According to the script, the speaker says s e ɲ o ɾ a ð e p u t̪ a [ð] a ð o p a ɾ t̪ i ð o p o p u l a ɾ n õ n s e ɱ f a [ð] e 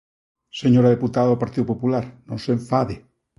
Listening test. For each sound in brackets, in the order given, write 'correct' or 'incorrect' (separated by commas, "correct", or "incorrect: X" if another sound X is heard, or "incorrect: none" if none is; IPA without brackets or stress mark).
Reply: correct, correct